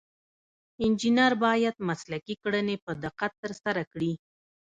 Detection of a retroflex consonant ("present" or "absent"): present